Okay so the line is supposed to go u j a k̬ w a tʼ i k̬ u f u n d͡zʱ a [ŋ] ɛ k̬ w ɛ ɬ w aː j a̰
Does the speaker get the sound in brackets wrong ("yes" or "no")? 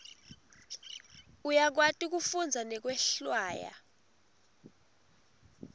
yes